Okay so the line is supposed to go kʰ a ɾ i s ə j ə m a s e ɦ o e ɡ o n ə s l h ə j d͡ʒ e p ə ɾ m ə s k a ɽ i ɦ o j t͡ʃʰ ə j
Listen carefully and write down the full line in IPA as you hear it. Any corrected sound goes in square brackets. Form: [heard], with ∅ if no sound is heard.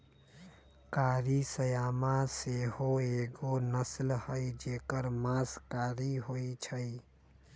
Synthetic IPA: [k] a ɾ i s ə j [a] m a s e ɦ o e ɡ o n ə s l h ə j d͡ʒ e [k] ə ɾ m [a] s k a [ɾ] i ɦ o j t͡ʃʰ ə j